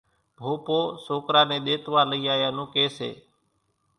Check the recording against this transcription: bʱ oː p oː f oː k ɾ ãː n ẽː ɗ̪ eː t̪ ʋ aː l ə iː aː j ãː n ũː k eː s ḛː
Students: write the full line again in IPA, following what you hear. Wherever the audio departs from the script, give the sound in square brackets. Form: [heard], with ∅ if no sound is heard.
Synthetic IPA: bʱ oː p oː [s] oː k ɾ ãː n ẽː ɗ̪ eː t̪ ʋ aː l ə iː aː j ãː n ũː k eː s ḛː